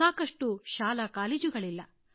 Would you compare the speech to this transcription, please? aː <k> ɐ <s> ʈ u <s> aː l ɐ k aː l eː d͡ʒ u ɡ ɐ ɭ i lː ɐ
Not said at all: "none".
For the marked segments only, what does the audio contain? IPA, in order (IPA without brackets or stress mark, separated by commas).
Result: k, ʂ, ʃ